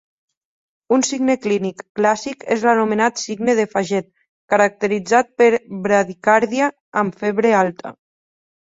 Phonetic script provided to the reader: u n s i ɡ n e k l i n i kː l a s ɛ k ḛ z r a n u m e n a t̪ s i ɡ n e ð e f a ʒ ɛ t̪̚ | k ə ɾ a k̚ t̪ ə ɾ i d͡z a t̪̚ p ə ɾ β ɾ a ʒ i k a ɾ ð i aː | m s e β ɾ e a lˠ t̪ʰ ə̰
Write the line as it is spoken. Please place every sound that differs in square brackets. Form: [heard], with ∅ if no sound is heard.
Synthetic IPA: u n s i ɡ n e k l i n i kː l a s [i] k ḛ z [l] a n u m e n a t̪ s i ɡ n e ð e f a ʒ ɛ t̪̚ | k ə ɾ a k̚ t̪ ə ɾ i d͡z a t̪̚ p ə ɾ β ɾ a [ð] i k a ɾ ð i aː | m [f] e β ɾ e a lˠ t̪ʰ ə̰

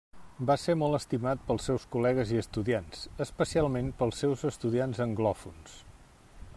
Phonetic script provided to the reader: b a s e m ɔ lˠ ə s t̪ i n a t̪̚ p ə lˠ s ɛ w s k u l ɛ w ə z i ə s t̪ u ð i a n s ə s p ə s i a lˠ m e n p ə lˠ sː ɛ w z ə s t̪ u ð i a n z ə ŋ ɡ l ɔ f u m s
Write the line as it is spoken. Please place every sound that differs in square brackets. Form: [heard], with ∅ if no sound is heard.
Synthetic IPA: b a s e m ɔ lˠ ə s t̪ i [m] a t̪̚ p ə lˠ s ɛ w s k u l ɛ [ɣ] ə z i ə s t̪ u ð i a n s ə s p ə s i a lˠ m e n p ə lˠ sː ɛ w z ə s t̪ u ð i a n z ə ŋ ɡ l ɔ f u [n] s

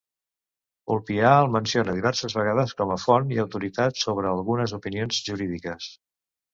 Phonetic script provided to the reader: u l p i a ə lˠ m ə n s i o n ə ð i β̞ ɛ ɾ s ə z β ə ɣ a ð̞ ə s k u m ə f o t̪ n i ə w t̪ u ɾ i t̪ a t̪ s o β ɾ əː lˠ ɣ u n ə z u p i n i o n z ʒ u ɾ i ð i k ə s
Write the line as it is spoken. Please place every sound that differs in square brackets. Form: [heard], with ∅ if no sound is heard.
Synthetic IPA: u l p i a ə lˠ m ə n s i o n ə ð i β̞ ɛ ɾ s ə z β ə ɣ a ð̞ ə s k [ɔ] m ə f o [∅] n i ə w t̪ u ɾ i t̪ a t̪ s o β ɾ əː lˠ ɣ u n ə z u p i n i o n z ʒ u ɾ i ð i k ə s

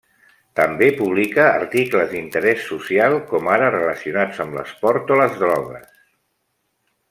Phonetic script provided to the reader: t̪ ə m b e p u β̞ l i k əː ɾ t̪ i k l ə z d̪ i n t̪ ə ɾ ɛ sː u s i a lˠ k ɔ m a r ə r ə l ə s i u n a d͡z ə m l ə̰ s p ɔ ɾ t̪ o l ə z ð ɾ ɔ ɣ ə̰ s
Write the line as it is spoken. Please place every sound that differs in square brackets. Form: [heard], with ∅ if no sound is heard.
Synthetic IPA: t̪ ə m b e p u β̞ l i k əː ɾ t̪ i k l ə z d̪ i n t̪ ə ɾ ɛ sː u s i a lˠ k ɔ m a [ɾ] ə r ə l ə s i u n a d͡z ə m l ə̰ s p ɔ ɾ t̪ o l ə z ð ɾ ɔ ɣ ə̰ s

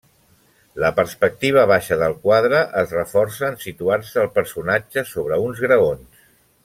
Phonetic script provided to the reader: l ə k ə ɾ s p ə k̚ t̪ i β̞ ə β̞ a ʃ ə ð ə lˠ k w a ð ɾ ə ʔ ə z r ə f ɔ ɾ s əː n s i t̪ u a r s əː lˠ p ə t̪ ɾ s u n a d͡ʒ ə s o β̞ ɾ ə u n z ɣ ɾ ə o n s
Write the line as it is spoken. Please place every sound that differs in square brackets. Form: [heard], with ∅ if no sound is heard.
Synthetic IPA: l ə [p] ə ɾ s p ə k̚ t̪ i β̞ ə β̞ a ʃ ə ð ə lˠ k w a ð ɾ ə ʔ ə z r ə f ɔ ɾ s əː n s i t̪ u a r s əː lˠ p ə [∅] ɾ s u n a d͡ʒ ə s o β̞ ɾ ə u n z ɣ ɾ ə o n s

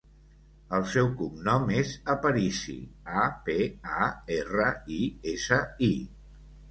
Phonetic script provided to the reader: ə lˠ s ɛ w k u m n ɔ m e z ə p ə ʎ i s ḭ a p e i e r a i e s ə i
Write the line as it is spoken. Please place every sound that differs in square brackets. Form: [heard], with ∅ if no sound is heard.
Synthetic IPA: ə lˠ s ɛ w k u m n ɔ m e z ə p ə [ɾ] i s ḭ a p e [a] e r [ə] i e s ə i

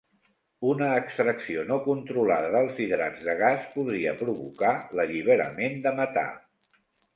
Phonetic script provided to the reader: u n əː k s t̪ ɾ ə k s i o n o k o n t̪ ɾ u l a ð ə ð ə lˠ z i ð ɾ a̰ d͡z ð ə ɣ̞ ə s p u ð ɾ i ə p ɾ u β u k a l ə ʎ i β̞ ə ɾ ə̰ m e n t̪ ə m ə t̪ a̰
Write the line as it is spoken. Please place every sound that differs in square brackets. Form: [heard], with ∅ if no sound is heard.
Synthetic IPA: u n əː k s t̪ ɾ ə k s i o n o k [u] n t̪ ɾ u l a ð ə ð ə lˠ z i ð ɾ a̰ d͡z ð ə ɣ̞ [a] s p u ð ɾ i ə p ɾ u β u k a l ə ʎ i β̞ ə ɾ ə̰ m e n [d̪] ə m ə t̪ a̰

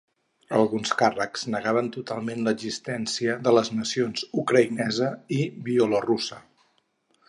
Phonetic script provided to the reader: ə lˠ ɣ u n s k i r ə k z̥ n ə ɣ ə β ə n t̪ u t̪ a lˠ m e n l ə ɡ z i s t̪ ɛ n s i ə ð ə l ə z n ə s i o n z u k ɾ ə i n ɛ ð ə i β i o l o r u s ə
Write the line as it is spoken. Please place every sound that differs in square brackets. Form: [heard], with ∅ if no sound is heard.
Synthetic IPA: ə lˠ ɣ u n s k [a] r ə k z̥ n ə ɣ [a] β ə n t̪ u t̪ a lˠ m e n l ə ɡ z i s t̪ ɛ n s i ə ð ə l ə z n ə s i o n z u k ɾ ə i n ɛ [z] ə i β i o l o r u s ə

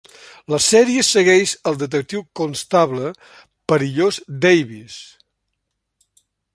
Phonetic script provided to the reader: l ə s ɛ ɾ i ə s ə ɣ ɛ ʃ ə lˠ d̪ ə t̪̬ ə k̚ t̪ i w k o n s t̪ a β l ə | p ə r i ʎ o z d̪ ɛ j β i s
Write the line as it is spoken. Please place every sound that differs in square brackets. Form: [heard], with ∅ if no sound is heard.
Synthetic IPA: l ə s ɛ ɾ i ə s ə ɣ ɛ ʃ ə lˠ d̪ ə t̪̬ ə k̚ t̪ i w k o n s t̪ a β l ə | p ə [ɾ] i ʎ o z d̪ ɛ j β i s

